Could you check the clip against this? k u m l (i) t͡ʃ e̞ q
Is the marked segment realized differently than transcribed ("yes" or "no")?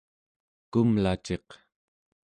yes